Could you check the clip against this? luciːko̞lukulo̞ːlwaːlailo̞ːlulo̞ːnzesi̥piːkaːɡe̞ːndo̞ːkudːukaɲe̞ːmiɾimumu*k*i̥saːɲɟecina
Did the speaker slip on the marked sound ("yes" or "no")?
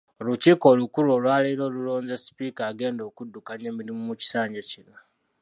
yes